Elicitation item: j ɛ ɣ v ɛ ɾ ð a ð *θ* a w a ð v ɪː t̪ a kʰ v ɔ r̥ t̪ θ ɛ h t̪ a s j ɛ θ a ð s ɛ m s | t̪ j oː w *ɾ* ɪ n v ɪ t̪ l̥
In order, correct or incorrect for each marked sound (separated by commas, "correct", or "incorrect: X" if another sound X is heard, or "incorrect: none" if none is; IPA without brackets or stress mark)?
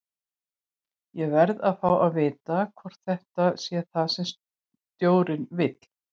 incorrect: f, correct